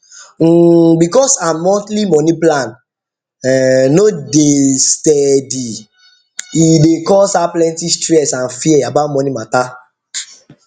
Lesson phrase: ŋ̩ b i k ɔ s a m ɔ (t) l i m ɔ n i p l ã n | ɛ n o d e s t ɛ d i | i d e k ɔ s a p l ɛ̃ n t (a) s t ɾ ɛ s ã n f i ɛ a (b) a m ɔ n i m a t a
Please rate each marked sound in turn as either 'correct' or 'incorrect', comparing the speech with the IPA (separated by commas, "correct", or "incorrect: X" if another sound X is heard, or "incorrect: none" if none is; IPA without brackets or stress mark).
correct, incorrect: i, correct